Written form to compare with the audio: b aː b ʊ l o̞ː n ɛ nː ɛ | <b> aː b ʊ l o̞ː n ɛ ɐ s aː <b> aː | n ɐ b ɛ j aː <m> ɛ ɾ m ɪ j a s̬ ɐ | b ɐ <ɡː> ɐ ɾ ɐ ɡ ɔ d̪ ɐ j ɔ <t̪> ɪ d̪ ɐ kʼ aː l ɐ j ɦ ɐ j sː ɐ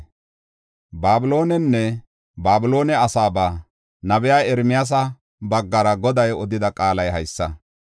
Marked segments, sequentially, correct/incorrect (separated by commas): correct, correct, incorrect, correct, incorrect